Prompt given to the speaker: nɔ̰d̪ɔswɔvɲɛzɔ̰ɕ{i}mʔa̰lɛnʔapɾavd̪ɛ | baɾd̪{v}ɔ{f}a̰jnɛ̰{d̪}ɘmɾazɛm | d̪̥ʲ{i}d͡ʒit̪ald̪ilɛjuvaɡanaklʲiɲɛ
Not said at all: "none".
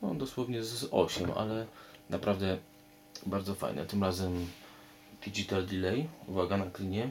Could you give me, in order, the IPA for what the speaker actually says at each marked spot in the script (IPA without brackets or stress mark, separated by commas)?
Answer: ɛ, z, f, t̪, i